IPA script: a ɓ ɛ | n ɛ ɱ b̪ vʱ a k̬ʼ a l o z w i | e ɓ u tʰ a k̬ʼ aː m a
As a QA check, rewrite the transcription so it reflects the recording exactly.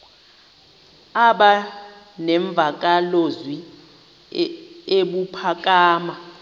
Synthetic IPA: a ɓ a | n ɛ ɱ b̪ vʱ a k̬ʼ a l o z w i | e ɓ u pʰ a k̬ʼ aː m a